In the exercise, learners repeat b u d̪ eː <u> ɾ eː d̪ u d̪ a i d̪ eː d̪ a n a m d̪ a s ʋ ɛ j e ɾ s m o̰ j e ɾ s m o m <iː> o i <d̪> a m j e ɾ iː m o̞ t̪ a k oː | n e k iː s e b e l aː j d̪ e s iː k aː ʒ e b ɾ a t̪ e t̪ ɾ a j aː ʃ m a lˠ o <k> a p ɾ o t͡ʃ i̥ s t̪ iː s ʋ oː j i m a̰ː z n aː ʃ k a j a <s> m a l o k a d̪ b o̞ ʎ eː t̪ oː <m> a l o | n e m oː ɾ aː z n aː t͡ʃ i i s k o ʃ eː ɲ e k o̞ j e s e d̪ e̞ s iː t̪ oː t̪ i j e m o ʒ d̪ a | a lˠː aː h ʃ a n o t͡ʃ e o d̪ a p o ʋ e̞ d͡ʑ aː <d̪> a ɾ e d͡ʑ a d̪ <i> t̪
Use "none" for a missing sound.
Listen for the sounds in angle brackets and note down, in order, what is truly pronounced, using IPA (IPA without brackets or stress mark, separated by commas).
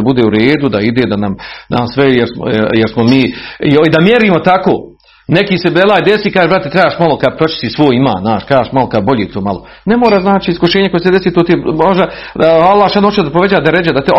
u, iː, d̪, k, ʃ, m, d̪, a